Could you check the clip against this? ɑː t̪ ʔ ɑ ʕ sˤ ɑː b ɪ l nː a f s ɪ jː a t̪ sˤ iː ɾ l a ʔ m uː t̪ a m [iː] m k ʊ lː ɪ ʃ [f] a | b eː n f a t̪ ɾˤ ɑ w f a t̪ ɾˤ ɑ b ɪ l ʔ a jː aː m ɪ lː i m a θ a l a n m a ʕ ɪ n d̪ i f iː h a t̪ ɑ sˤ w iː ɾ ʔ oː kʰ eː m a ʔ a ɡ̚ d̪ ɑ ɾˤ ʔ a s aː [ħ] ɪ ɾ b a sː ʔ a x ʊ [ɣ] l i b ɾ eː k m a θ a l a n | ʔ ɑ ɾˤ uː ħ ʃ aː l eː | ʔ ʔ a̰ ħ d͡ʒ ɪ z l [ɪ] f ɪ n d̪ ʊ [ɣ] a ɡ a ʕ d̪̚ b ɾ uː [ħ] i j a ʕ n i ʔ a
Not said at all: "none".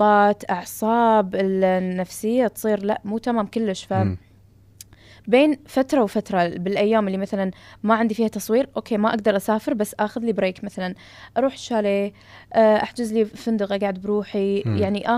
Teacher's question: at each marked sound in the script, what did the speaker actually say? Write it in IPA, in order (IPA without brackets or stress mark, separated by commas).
aː, f, f, ð, i, ɣ, ħ